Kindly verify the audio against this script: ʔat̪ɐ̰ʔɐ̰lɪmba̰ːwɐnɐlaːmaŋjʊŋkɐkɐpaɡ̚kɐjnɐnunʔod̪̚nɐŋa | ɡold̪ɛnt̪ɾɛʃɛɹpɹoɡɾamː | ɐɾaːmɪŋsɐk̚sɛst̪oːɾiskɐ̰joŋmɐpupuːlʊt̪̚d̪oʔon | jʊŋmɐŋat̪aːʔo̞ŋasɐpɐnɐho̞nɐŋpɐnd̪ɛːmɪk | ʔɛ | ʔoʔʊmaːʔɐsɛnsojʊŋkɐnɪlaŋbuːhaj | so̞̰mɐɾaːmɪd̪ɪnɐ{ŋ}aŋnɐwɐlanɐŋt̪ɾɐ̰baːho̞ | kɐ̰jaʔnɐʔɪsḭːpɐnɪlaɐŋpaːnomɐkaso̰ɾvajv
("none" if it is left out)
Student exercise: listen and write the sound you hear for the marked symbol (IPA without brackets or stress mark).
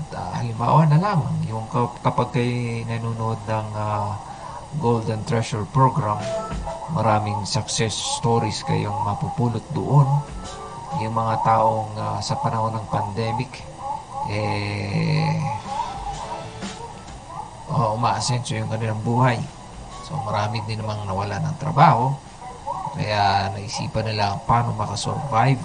m